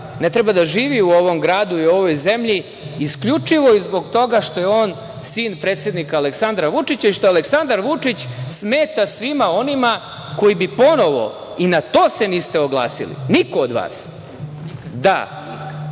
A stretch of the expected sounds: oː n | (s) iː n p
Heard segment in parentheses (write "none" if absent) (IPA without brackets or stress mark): s